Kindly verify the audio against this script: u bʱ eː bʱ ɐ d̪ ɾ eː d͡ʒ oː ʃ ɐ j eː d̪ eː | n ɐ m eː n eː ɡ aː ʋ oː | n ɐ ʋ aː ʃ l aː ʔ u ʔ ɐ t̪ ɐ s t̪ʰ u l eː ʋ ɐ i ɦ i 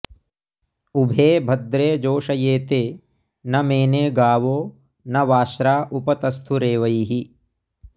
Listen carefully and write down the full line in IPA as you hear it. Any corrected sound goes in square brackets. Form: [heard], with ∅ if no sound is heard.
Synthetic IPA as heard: u bʱ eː bʱ ɐ d̪ ɾ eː d͡ʒ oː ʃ ɐ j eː [t̪] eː | n ɐ m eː n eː ɡ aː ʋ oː | n ɐ ʋ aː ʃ [ɾ] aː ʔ u [p] ɐ t̪ ɐ s t̪ʰ u [ɾ] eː ʋ ɐ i ɦ i